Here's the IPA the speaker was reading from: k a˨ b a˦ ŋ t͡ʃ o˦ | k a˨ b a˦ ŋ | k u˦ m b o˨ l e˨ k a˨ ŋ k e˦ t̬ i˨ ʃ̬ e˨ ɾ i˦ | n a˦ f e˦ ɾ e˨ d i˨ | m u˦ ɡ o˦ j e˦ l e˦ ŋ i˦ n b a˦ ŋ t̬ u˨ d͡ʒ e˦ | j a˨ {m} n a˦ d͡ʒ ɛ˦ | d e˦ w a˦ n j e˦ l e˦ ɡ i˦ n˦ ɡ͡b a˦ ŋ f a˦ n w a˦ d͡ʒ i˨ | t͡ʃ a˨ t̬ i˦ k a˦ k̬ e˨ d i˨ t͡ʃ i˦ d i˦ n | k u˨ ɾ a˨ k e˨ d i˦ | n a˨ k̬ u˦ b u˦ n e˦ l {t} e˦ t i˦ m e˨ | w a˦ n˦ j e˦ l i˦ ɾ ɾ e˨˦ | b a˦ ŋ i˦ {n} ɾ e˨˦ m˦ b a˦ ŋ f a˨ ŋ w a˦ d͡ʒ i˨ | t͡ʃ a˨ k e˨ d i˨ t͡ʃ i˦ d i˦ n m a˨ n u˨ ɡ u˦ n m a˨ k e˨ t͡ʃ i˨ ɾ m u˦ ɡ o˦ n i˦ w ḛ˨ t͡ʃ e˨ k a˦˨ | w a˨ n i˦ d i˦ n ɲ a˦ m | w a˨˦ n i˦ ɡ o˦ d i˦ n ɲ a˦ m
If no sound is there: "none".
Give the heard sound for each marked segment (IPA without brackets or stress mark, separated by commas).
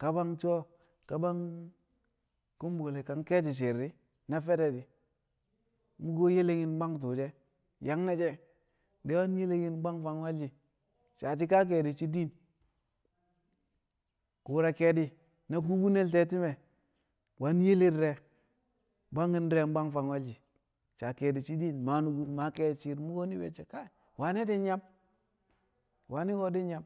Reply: ŋ, t, n